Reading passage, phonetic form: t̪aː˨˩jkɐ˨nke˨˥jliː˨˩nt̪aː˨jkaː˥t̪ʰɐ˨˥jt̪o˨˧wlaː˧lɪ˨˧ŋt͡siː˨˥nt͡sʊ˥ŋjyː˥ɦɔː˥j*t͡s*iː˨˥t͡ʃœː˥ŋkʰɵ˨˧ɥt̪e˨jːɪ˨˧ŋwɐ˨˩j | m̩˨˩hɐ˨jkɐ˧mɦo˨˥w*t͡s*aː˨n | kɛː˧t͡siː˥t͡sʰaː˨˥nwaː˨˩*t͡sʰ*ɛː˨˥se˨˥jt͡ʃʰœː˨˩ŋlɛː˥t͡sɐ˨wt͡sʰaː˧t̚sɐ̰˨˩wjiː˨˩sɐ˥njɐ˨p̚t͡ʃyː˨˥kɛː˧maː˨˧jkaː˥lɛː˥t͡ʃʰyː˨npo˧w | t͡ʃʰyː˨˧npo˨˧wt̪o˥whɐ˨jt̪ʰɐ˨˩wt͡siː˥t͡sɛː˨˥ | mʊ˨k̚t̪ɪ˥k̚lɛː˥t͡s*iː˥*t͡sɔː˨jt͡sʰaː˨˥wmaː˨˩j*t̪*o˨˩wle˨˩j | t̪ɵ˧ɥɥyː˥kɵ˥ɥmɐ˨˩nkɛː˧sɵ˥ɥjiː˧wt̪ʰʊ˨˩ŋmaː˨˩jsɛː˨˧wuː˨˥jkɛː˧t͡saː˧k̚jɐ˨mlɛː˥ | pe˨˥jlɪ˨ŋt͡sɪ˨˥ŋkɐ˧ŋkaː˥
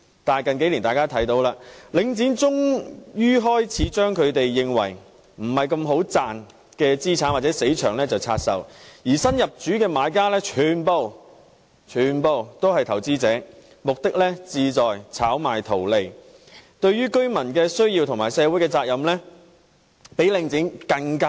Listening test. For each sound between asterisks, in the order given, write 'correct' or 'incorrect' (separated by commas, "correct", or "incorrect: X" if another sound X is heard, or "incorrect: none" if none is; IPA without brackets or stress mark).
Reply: incorrect: t͡sʰ, correct, incorrect: t͡s, incorrect: iː˧, incorrect: t̪ʰ